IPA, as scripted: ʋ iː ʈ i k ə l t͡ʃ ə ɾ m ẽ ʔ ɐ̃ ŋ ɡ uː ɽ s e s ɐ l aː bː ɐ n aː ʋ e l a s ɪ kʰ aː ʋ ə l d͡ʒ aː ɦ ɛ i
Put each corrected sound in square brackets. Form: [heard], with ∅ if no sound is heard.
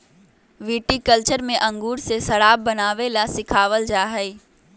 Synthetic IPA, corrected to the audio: ʋ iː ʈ i k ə l t͡ʃ ə ɾ m ẽ ʔ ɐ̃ ŋ ɡ uː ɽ s e s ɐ [ɽ] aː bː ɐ n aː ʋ e l a s ɪ kʰ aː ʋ ə l d͡ʒ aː ɦ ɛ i